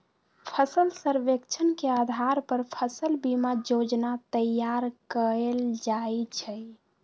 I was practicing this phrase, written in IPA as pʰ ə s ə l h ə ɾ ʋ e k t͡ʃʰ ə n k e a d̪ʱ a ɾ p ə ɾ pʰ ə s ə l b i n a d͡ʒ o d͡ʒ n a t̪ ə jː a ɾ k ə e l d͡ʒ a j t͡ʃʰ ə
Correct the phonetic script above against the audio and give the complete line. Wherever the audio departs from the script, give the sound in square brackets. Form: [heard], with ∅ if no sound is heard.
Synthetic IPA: pʰ ə s ə l [s] ə ɾ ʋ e k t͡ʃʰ ə n k e a d̪ʱ a ɾ p ə ɾ pʰ ə s ə l b i [m] a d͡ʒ o d͡ʒ n a t̪ ə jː a ɾ k ə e l d͡ʒ a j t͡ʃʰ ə